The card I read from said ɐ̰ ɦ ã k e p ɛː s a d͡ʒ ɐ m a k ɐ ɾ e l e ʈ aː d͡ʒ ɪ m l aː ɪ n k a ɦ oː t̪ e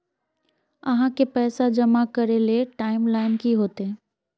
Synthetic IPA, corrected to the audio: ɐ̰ ɦ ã k e p ɛː s a d͡ʒ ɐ m a k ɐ ɾ e l e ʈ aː ɪ m l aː ɪ n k i ɦ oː t̪ e